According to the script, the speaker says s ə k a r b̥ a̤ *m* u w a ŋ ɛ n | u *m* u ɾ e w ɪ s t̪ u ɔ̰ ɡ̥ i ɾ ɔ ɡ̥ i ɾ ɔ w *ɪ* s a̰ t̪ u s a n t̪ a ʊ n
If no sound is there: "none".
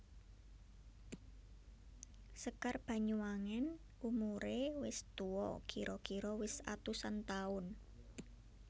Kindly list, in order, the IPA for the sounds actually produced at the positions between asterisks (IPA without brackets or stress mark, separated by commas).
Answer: ɲ, m, ɪ